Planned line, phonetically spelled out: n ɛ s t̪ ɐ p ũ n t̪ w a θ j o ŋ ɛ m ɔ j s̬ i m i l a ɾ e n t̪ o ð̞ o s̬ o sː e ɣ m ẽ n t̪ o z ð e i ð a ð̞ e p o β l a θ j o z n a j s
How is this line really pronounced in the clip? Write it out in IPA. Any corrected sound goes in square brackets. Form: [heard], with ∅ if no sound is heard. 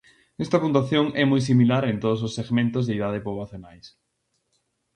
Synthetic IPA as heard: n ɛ s t̪ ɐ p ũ n t̪ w a θ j o ŋ ɛ m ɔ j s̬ i m i l a ɾ e n t̪ o ð̞ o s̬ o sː e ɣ m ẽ n t̪ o z ð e i ð a ð̞ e p o β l a θ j o [∅] n a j s